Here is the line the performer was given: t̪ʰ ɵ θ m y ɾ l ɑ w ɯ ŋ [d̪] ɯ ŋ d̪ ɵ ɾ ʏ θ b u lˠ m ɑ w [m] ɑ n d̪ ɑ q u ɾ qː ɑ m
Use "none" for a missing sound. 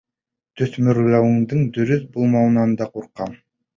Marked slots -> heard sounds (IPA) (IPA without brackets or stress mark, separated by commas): d̪, n